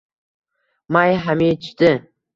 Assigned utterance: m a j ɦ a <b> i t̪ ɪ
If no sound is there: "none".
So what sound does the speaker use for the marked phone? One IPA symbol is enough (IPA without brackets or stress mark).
m